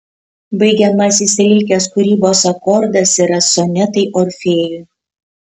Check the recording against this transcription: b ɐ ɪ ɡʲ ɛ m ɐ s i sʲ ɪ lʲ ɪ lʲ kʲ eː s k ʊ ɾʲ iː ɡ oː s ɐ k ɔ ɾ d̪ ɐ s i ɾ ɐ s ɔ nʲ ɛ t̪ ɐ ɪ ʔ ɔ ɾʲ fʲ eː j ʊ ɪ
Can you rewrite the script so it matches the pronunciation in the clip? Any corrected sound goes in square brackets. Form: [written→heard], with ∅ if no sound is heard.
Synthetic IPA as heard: b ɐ ɪ ɡʲ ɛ m ɐ s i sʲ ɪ lʲ ɪ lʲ kʲ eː s k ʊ ɾʲ iː [ɡ→b] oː s ɐ k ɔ ɾ d̪ ɐ s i ɾ ɐ s ɔ nʲ ɛ t̪ ɐ ɪ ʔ ɔ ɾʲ fʲ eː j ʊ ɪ

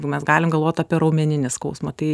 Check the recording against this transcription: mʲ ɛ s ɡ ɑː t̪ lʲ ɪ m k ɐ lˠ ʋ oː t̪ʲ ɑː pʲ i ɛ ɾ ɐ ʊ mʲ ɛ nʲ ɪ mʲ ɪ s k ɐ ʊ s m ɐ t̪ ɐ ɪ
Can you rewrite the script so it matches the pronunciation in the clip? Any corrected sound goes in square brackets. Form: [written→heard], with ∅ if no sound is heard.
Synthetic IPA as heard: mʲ ɛ s ɡ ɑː [t̪→∅] lʲ ɪ m [k→ɡ] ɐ lˠ ʋ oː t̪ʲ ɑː pʲ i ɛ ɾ ɐ ʊ mʲ ɛ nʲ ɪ [mʲ→nʲ] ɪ s k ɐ ʊ s m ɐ t̪ ɐ ɪ

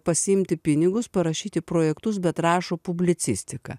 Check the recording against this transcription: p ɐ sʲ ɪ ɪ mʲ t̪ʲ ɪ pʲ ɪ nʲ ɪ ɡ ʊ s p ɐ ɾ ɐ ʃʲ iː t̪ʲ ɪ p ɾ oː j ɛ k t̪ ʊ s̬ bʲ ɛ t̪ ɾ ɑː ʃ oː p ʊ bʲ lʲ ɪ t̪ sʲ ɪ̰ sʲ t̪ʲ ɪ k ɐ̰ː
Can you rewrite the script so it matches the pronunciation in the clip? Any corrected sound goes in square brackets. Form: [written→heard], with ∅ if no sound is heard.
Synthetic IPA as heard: p ɐ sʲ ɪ ɪ mʲ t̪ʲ ɪ pʲ ɪ nʲ ɪ ɡ ʊ s p ɐ ɾ ɐ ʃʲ iː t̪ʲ ɪ p ɾ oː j ɛ k t̪ ʊ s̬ bʲ ɛ t̪ ɾ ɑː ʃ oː p ʊ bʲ lʲ ɪ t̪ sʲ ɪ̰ sʲ t̪ʲ ɪ k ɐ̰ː

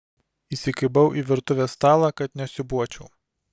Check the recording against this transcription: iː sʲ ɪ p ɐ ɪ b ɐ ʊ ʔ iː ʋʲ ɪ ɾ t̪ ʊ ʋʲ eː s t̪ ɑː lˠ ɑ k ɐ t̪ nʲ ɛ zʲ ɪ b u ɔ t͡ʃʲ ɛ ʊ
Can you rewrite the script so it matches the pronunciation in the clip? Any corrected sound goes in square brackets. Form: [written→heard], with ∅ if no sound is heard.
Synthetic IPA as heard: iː sʲ ɪ [p→k] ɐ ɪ b ɐ ʊ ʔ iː ʋʲ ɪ ɾ t̪ ʊ ʋʲ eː s t̪ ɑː lˠ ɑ k ɐ t̪ nʲ ɛ [zʲ→sʲ] ɪ b u ɔ t͡ʃʲ ɛ ʊ

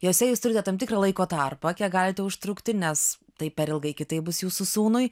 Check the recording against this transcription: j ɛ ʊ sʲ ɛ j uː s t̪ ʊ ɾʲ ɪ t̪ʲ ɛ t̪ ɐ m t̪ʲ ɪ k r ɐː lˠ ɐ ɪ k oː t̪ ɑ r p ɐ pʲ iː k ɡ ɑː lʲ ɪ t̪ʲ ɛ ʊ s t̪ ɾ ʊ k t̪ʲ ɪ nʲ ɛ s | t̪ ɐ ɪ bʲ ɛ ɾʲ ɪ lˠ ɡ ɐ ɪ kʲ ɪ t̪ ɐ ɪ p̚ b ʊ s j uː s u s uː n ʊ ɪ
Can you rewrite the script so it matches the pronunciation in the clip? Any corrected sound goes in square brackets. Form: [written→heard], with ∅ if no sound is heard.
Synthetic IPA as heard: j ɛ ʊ sʲ ɛ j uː s t̪ ʊ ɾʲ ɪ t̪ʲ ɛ t̪ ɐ m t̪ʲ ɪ k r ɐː lˠ ɐ ɪ k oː t̪ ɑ r p ɐ [pʲ→kʲ] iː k ɡ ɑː lʲ ɪ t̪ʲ ɛ ʊ [s→ʃ] t̪ ɾ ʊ k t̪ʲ ɪ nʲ ɛ s | t̪ ɐ ɪ [bʲ→pʲ] ɛ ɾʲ ɪ lˠ ɡ ɐ ɪ kʲ ɪ t̪ ɐ ɪ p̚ b ʊ s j uː s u s uː n ʊ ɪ

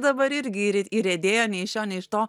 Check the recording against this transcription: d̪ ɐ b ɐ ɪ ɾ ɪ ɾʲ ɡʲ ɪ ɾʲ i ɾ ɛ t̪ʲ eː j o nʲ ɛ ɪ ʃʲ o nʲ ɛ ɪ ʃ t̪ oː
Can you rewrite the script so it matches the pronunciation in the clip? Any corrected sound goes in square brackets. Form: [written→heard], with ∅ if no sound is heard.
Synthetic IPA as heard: d̪ ɐ b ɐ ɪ ɾ ɪ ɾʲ ɡʲ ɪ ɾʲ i ɾ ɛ [t̪ʲ→d̪ʲ] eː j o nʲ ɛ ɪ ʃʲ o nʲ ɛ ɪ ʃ t̪ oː

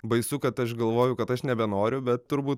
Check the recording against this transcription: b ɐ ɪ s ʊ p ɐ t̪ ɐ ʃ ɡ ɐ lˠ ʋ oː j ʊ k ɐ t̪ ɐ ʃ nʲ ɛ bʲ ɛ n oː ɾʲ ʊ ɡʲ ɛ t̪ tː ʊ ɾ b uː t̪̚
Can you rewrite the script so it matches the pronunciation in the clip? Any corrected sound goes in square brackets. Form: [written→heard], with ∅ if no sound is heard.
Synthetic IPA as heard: b ɐ ɪ s ʊ [p→k] ɐ t̪ ɐ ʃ ɡ ɐ lˠ ʋ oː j ʊ k ɐ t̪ ɐ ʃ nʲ ɛ bʲ ɛ n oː ɾʲ ʊ [ɡʲ→bʲ] ɛ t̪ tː ʊ ɾ b uː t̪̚

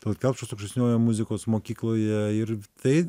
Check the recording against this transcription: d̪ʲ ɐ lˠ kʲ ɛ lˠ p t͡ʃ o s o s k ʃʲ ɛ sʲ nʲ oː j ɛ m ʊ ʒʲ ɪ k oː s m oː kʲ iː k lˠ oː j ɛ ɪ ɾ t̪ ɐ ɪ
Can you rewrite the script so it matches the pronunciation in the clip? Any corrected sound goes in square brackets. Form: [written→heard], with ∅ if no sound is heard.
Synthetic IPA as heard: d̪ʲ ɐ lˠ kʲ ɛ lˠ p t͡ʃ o s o [s→∅] k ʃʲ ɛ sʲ nʲ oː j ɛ m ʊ [ʒʲ→zʲ] ɪ k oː s m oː kʲ iː k lˠ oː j ɛ ɪ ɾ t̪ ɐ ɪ

